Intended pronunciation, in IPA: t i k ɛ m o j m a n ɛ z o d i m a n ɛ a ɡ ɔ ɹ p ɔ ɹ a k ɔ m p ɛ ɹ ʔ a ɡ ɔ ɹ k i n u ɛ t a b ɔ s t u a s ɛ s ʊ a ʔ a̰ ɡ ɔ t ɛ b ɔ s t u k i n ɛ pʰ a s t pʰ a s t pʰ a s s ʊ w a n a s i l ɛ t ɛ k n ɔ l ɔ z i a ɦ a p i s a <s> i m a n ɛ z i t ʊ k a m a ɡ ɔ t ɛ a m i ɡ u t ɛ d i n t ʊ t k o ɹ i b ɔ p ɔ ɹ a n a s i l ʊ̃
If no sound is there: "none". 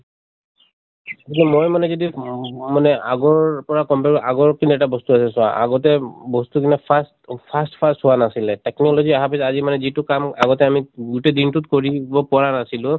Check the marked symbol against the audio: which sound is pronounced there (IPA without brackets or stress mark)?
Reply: z